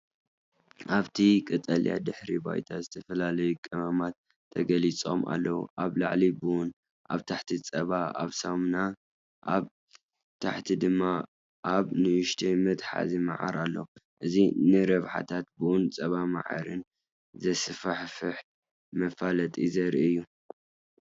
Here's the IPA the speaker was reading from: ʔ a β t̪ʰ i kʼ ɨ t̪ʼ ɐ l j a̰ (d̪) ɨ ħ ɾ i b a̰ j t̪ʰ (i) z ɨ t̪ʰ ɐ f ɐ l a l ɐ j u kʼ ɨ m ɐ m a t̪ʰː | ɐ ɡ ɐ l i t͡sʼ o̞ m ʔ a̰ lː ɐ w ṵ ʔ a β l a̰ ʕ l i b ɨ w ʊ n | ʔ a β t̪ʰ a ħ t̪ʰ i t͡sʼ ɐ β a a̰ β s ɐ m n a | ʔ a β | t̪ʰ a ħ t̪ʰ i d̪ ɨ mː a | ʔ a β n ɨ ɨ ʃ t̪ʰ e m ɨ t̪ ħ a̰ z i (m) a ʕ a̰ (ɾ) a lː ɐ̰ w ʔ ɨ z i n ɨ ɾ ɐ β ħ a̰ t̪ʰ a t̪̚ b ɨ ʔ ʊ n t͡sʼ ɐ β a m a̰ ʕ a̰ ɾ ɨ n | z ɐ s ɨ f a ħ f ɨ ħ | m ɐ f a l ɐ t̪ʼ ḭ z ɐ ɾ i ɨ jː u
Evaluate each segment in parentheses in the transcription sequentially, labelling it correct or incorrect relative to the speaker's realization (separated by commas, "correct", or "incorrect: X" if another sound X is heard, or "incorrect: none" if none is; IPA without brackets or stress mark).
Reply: correct, incorrect: a, correct, correct